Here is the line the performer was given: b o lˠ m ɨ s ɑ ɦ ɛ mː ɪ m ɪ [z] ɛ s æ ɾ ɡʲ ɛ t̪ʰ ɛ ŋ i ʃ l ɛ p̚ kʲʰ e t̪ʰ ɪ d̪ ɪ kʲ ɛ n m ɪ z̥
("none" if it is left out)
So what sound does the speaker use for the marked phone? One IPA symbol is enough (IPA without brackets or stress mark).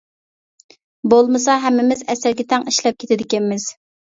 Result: z